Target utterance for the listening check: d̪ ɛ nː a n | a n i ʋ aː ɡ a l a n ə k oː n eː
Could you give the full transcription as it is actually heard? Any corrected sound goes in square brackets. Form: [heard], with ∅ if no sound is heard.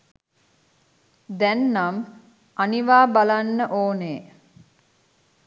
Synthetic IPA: d̪ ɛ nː a [m] | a n i ʋ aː [b] a l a [nː] ə [ʔ] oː n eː